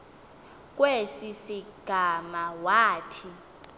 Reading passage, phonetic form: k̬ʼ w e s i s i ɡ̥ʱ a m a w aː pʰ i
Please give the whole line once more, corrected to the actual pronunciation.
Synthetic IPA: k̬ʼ w e s i s i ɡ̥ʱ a m a w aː tʰ i